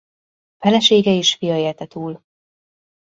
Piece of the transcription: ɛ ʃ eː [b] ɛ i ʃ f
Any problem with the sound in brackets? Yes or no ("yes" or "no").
yes